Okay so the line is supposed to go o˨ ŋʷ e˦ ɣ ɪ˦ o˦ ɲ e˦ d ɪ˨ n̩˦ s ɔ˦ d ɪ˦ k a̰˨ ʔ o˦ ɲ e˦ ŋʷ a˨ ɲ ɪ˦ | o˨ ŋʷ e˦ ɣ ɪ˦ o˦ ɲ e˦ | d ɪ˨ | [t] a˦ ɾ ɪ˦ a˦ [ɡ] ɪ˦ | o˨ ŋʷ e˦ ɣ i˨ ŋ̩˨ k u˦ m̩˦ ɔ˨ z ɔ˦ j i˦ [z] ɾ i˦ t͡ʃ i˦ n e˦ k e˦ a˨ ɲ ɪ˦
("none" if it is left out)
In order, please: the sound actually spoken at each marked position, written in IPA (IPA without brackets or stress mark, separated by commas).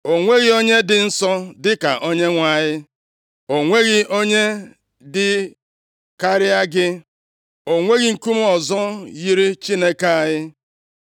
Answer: k, ɡ, none